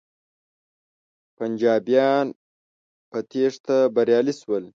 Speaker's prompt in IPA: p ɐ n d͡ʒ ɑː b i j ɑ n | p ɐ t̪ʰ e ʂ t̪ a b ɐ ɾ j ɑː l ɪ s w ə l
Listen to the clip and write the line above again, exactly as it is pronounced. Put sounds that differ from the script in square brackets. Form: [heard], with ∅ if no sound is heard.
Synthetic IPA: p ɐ n d͡ʒ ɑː b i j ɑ n | p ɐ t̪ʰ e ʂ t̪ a b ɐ ɾ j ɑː l [i] s w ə l